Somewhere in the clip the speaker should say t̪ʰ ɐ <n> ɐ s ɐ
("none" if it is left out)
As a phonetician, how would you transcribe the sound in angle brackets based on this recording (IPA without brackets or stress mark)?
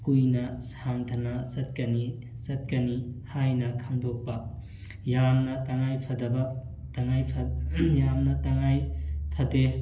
n